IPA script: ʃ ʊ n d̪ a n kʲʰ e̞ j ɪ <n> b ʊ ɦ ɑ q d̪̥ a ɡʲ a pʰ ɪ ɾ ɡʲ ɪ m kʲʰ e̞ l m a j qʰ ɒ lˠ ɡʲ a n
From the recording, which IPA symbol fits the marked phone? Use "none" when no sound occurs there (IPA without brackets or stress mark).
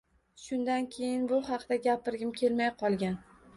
n